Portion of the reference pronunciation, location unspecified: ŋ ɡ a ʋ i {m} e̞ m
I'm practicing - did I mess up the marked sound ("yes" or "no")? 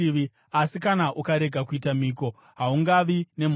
yes